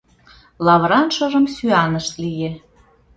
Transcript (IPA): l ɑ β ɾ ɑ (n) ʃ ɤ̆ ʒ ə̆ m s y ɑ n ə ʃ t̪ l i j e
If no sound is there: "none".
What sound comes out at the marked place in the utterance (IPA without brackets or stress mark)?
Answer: n